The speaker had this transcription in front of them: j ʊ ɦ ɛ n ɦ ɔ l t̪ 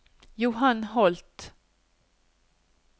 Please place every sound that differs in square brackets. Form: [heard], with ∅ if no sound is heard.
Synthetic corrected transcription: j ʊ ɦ [a] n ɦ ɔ l t̪